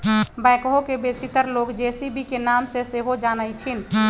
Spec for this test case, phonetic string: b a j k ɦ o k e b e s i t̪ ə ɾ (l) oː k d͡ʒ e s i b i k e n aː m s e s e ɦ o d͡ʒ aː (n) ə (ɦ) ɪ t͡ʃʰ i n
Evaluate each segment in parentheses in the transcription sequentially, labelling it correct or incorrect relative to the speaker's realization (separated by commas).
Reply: correct, correct, incorrect